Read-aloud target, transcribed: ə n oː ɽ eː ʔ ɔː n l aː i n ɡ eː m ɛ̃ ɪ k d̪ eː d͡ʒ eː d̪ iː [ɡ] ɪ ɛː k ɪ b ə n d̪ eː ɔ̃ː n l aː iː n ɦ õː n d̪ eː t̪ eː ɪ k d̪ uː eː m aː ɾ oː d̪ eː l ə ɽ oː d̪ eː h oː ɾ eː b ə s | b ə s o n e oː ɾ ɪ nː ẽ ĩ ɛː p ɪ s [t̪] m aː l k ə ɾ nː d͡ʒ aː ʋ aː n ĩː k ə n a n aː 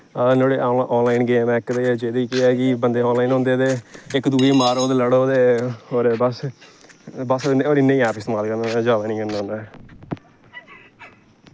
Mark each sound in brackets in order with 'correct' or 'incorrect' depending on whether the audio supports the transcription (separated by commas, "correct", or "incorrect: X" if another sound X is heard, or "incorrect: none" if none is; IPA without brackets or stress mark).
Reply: incorrect: k, correct